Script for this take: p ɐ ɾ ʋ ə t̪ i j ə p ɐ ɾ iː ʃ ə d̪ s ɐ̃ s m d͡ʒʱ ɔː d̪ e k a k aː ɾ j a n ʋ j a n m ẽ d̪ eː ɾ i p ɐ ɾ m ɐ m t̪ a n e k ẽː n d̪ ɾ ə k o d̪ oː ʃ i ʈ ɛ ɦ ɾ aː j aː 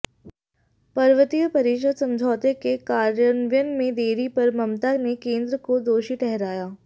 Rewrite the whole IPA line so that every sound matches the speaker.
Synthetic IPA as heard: p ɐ ɾ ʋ ə t̪ i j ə p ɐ ɾ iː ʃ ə d̪ s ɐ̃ m d͡ʒʱ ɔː t̪ e k e k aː ɾ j ə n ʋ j ə n m ẽ d̪ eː ɾ i p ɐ ɾ m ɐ m t̪ a n e k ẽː n d̪ ɾ ə k o d̪ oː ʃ i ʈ ɛ ɦ ɾ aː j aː

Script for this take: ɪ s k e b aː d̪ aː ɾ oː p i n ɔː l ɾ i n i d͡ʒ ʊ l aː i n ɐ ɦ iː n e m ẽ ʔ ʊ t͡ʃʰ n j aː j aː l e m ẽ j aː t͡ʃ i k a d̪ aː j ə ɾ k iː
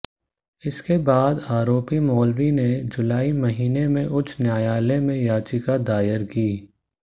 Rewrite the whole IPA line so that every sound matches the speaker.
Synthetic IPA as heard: ɪ s k e b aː d̪ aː ɾ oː p i m ɔː l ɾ i n e d͡ʒ ʊ l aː i m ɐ ɦ iː n e m ẽ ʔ ʊ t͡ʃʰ n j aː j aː l e m ẽ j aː t͡ʃ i k a d̪ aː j ə ɾ k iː

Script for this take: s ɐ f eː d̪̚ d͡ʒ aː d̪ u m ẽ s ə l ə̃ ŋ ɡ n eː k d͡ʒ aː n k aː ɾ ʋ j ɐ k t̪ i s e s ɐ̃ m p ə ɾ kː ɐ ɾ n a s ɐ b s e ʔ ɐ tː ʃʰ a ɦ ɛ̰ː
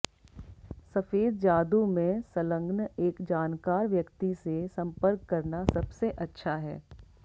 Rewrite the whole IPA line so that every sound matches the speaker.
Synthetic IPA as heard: s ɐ f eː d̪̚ d͡ʒ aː d̪ u m ẽ s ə l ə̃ ŋ ɡ n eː k d͡ʒ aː n k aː ɾ ʋ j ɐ k t̪ i s e s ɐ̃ m p ə ɾ kː ɐ ɾ n a s ɐ b s e ʔ ɐ tː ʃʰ a ɦ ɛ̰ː

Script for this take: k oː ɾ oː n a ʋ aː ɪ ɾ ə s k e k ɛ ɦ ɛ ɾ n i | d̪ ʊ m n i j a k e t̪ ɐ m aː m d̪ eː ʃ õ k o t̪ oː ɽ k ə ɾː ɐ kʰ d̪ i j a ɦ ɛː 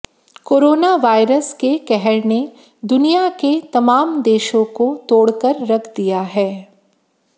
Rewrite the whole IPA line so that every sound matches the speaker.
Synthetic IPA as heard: k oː ɾ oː n a ʋ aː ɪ ɾ ə s k e k ɛ ɦ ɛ ɾ n e | d̪ ʊ n i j a k e t̪ ɐ m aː m d̪ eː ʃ õ k o t̪ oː ɽ k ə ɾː ɐ kʰ d̪ i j a ɦ ɛː

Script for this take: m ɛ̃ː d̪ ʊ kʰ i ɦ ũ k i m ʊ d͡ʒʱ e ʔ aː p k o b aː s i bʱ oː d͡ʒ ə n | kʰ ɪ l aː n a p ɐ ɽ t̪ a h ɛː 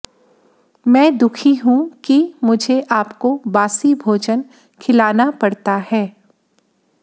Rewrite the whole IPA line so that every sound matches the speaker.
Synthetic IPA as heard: m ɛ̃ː d̪ ʊ kʰ i ɦ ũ k i m ʊ d͡ʒʱ e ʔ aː p k o b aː s i bʱ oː d͡ʒ ə n | kʰ ɪ l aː n a p ɐ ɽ t̪ a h ɛː

